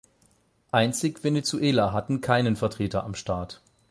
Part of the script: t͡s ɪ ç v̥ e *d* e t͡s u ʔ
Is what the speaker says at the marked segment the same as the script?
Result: no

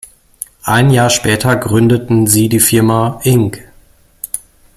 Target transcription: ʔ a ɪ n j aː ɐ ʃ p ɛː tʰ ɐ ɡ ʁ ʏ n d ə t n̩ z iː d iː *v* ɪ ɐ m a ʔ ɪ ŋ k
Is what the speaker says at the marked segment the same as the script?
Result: no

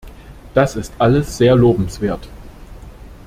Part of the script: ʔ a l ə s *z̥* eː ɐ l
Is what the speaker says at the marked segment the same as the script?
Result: yes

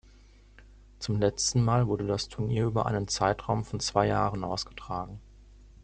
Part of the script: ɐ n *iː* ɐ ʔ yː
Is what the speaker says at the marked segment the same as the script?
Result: yes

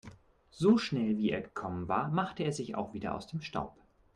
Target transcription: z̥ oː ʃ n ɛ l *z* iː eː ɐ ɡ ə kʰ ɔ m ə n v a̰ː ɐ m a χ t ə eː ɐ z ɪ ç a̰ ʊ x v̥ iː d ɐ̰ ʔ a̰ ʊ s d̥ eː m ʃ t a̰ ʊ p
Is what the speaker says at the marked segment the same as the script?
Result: no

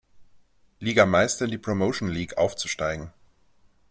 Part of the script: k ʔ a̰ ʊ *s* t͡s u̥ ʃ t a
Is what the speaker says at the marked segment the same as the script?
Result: no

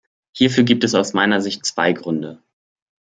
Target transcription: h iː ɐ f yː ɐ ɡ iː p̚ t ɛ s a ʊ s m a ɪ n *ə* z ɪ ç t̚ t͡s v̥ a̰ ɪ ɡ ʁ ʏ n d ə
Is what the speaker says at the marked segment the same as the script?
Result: no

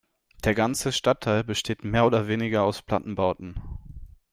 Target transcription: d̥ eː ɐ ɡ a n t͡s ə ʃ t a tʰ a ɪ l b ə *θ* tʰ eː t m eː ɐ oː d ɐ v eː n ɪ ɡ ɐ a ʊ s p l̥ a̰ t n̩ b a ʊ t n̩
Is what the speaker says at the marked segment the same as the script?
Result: no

